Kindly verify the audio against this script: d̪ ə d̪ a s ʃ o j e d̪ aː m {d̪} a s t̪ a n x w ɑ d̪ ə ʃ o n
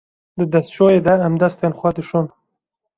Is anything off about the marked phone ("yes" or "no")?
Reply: no